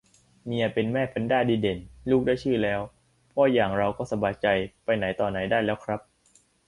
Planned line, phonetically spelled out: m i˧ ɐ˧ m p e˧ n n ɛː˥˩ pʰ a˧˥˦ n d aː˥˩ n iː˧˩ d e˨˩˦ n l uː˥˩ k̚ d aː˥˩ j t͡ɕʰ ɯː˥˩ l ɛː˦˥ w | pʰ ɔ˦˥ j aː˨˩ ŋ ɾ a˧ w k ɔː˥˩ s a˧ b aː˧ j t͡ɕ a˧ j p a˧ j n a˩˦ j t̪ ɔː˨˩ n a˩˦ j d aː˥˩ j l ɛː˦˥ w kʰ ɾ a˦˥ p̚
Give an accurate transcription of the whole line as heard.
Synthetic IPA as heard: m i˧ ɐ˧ p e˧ n m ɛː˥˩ pʰ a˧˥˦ n d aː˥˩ d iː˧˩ d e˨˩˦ n l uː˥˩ k̚ d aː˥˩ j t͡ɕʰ ɯː˥˩ l ɛː˦˥ w | pʰ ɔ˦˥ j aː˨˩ ŋ ɾ a˧ w k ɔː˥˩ s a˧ b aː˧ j t͡ɕ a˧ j p a˧ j n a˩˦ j t̪ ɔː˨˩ n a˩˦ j d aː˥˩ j l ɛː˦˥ w kʰ ɾ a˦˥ p̚

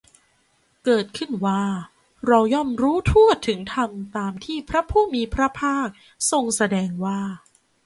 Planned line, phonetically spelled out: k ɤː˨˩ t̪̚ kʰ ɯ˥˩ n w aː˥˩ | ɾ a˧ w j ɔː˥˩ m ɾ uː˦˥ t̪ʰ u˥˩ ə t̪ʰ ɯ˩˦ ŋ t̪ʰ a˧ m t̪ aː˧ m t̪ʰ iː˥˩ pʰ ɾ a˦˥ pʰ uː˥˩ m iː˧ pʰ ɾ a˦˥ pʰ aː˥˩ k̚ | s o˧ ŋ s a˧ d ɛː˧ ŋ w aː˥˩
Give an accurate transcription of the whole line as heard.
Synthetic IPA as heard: k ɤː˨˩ t̪̚ kʰ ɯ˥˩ n w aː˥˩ | ɾ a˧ w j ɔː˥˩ m ɾ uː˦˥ t̪ʰ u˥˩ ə t̪ʰ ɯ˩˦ ŋ t̪ʰ a˧ m t̪ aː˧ m t̪ʰ iː˥˩ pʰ ɾ a˦˥ pʰ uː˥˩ m iː˧ pʰ ɾ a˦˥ pʰ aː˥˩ k̚ | s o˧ ŋ s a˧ d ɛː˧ ŋ w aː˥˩

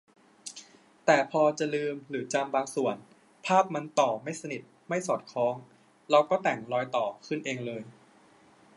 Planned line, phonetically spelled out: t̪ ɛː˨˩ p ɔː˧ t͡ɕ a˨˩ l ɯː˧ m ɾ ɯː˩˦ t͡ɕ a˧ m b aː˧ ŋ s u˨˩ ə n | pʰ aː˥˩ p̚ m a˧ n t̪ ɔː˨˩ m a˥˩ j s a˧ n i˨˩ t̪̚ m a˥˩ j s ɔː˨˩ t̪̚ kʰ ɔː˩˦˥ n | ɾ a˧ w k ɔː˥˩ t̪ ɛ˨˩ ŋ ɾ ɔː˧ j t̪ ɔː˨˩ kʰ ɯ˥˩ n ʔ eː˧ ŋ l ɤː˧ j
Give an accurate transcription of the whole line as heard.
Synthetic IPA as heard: t̪ ɛː˨˩ pʰ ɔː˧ t͡ɕ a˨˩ l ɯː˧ m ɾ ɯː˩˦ t͡ɕ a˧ m b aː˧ ŋ s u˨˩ ə n | pʰ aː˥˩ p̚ m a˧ n t̪ ɔː˨˩ m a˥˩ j s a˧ n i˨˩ t̪̚ m a˥˩ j s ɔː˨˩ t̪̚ kʰ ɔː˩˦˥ ŋ | ɾ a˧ w k ɔː˥˩ t̪ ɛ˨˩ ŋ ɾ ɔː˧ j t̪ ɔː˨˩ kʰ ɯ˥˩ n ʔ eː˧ ŋ l ɤː˧ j

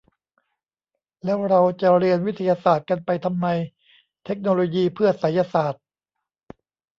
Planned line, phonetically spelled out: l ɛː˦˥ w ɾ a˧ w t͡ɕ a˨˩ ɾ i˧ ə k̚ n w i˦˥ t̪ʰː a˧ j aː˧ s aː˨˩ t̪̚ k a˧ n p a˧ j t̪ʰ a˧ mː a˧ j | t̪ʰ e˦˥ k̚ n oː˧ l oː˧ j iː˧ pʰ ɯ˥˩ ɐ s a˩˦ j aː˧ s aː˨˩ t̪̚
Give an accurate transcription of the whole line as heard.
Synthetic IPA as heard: l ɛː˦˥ w ɾ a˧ w t͡ɕ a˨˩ ɾ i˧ ə n w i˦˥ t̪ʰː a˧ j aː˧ s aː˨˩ t̪̚ k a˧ n p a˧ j t̪ʰ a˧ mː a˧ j | t̪ʰ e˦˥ k̚ n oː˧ l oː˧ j iː˧ pʰ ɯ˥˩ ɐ s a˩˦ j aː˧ s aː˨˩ t̪̚

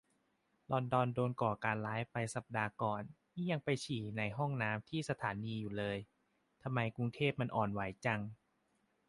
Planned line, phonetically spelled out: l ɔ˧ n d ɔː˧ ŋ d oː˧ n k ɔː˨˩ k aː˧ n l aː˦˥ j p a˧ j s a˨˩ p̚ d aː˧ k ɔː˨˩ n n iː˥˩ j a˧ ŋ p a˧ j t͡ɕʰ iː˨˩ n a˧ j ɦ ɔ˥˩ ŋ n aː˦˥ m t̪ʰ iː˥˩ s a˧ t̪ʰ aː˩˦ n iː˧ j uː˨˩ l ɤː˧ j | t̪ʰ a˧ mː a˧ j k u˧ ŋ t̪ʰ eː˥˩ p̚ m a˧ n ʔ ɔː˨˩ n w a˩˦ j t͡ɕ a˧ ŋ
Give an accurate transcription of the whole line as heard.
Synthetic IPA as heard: l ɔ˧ n d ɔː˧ n d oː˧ n k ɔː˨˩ k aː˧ n l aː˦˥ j p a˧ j s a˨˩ p̚ d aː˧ k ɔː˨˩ n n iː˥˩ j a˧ ŋ p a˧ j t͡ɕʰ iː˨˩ n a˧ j ɦ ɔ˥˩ ŋ n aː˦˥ m t̪ʰ iː˥˩ s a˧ t̪ʰ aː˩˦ n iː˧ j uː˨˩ l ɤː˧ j | t̪ʰ a˧ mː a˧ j k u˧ ŋ t̪ʰ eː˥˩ p̚ m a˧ n ʔ ɔː˨˩ n w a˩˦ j t͡ɕ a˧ ŋ

